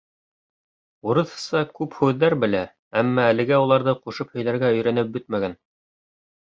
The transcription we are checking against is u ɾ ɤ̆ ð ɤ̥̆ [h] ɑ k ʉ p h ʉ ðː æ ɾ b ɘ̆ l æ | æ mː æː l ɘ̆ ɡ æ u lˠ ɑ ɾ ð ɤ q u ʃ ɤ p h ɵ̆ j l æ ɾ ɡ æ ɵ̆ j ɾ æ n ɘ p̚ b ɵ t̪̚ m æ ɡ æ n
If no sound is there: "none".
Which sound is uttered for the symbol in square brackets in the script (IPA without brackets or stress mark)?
s